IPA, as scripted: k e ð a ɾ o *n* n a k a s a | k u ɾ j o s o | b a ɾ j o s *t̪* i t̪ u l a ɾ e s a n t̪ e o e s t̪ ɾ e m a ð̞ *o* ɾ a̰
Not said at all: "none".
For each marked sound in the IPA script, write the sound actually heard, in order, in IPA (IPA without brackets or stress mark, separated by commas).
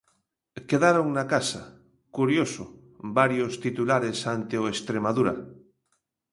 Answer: ŋ, t̪, u